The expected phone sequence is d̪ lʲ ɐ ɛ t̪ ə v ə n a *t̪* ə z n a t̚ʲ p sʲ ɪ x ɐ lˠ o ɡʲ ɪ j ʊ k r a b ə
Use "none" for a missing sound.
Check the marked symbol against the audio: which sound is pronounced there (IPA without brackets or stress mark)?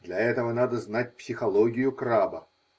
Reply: d̪